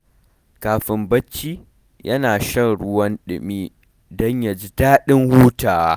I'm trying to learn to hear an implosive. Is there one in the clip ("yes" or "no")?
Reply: yes